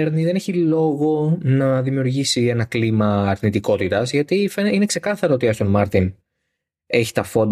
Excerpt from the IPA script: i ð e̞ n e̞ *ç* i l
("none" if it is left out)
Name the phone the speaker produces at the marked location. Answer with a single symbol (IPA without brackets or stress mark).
ç